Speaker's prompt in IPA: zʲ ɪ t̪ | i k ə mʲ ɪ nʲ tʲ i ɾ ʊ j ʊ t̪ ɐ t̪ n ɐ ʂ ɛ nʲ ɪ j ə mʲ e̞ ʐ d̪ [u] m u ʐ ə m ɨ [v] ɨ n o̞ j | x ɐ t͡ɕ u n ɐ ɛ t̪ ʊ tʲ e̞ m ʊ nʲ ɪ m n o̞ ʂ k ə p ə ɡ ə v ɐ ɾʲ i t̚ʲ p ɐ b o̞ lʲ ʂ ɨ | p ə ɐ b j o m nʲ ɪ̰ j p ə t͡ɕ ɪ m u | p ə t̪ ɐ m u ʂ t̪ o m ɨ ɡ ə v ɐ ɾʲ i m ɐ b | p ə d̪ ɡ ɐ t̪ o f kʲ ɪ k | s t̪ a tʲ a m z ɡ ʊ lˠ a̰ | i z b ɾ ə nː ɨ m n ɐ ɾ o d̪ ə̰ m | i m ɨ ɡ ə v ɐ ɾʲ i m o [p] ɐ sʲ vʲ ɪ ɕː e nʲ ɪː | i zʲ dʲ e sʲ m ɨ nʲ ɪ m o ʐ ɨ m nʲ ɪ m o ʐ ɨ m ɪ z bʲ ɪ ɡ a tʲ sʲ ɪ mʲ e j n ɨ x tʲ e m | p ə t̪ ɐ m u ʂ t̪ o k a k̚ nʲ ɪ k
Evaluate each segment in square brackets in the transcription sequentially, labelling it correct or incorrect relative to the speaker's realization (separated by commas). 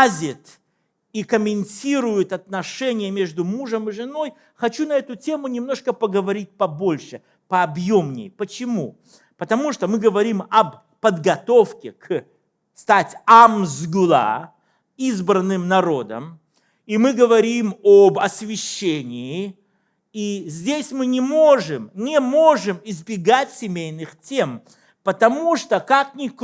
incorrect, incorrect, incorrect